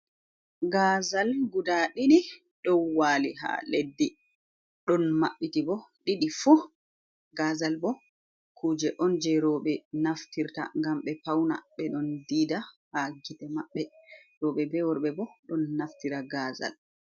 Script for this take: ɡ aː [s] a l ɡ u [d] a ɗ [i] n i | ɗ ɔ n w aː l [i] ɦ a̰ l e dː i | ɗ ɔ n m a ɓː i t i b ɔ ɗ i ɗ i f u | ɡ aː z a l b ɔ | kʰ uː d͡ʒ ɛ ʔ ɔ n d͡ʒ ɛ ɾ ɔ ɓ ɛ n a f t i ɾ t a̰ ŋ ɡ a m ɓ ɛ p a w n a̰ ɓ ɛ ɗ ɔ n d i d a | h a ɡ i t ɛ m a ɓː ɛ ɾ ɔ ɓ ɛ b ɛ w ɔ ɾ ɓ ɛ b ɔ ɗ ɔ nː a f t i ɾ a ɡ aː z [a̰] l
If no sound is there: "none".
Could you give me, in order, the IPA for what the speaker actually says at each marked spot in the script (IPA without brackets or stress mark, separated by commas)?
z, d, i, i, a̰